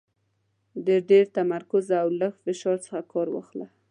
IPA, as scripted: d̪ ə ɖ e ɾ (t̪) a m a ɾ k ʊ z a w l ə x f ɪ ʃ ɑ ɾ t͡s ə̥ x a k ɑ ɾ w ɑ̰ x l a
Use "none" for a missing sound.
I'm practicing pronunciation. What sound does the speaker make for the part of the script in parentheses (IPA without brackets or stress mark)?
t̪